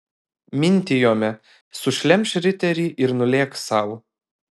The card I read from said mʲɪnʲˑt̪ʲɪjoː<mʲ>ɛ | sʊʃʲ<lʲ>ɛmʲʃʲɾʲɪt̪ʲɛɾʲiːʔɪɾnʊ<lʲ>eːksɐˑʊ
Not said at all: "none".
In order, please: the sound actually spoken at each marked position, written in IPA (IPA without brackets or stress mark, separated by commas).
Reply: mʲ, lʲ, lʲ